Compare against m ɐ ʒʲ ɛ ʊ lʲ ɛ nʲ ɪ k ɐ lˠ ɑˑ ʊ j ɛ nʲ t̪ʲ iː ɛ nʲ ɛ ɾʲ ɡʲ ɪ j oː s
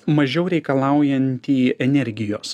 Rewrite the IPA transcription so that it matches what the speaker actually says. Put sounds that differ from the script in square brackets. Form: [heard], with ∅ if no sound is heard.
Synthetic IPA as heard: m ɐ ʒʲ ɛ ʊ [ɾʲ] ɛ [∅] ɪ k ɐ lˠ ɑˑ ʊ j ɛ nʲ t̪ʲ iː ɛ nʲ ɛ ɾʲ ɡʲ ɪ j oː s